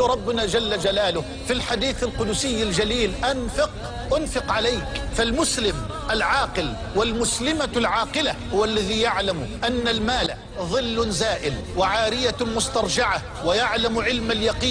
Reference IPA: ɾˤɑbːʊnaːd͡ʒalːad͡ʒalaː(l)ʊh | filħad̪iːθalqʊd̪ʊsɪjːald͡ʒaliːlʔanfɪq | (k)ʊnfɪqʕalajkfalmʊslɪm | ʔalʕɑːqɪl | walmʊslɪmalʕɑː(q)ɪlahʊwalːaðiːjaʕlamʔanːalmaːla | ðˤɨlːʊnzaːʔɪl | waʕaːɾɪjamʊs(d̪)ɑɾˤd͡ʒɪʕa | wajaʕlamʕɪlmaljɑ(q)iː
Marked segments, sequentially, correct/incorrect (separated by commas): correct, incorrect, correct, incorrect, correct